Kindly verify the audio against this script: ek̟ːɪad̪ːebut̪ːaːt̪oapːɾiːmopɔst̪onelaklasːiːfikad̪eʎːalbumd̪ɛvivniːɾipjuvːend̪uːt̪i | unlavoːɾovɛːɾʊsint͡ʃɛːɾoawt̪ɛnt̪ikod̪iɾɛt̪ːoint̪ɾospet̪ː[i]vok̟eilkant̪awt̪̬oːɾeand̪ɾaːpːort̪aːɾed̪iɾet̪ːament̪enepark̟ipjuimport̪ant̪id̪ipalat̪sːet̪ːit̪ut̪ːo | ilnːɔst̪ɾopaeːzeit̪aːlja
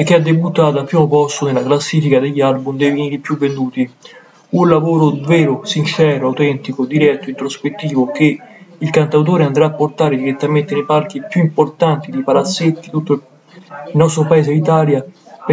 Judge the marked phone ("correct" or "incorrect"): incorrect